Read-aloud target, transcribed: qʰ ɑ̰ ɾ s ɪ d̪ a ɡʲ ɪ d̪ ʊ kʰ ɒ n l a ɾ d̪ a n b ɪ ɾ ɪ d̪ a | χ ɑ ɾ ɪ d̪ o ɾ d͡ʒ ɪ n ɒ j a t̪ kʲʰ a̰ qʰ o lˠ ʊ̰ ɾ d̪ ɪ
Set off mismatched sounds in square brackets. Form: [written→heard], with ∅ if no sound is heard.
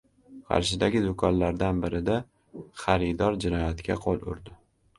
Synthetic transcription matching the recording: qʰ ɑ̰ ɾ [s→ʃ] ɪ d̪ a ɡʲ ɪ d̪ ʊ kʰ ɒ n l a ɾ d̪ a n b ɪ ɾ ɪ d̪ a | χ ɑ ɾ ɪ d̪ [o→ɒ] ɾ d͡ʒ ɪ n ɒ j a t̪ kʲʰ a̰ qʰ o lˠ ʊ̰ ɾ d̪ ɪ